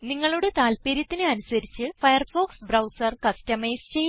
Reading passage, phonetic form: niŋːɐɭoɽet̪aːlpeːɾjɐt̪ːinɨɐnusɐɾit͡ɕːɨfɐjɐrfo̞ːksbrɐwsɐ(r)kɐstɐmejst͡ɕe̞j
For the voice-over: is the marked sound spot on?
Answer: yes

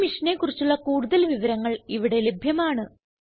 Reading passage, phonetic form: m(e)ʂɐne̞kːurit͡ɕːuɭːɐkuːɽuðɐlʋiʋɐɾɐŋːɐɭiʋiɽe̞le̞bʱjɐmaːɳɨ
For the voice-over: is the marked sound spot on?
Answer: no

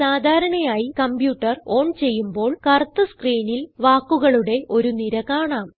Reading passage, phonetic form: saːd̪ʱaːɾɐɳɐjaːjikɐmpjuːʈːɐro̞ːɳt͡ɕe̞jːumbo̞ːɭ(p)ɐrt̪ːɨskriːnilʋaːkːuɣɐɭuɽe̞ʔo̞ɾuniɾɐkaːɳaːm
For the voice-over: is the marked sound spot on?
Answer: no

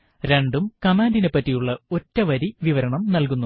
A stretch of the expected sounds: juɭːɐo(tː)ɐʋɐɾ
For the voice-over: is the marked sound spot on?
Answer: yes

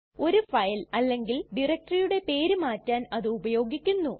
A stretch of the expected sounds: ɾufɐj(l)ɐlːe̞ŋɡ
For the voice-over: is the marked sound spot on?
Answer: yes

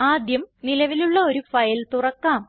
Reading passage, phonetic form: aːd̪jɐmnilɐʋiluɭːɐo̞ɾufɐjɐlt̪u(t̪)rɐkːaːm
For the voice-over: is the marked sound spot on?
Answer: no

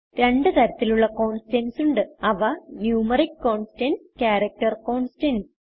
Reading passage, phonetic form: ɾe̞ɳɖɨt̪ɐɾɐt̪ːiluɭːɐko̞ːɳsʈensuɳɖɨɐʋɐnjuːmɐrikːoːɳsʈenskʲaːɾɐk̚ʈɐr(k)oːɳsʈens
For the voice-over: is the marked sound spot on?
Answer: yes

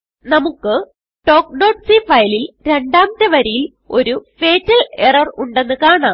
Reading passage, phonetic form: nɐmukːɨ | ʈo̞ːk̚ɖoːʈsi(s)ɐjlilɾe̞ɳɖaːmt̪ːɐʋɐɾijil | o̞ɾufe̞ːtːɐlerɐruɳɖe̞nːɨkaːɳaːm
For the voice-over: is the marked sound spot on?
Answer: no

